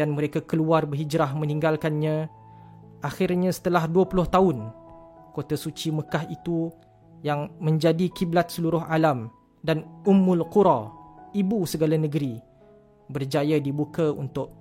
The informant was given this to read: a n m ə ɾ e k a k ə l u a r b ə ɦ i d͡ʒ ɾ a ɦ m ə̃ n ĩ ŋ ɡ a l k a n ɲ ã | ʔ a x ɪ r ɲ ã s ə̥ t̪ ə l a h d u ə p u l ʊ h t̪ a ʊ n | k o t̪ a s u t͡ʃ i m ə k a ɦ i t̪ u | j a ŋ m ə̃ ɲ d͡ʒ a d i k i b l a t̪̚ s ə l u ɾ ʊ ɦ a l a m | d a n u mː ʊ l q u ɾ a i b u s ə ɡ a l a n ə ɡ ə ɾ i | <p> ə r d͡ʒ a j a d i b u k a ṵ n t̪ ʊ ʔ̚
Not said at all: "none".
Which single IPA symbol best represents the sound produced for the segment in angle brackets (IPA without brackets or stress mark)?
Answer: b